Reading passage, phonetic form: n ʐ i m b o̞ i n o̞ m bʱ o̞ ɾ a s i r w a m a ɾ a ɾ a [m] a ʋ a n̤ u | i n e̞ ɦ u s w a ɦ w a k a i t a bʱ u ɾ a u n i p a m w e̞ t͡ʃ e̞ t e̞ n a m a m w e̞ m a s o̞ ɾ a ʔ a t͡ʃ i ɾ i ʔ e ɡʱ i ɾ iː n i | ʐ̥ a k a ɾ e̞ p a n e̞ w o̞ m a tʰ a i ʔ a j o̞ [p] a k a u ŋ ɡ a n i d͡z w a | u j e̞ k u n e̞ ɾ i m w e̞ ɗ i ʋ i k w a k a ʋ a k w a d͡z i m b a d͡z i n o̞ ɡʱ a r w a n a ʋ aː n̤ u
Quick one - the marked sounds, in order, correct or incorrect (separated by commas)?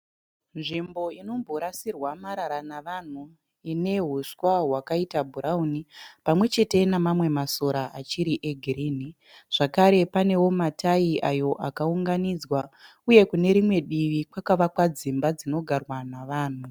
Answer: incorrect, incorrect